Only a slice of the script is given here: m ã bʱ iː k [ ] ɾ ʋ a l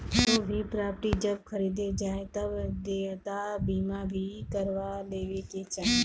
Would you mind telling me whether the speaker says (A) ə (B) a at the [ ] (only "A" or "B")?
A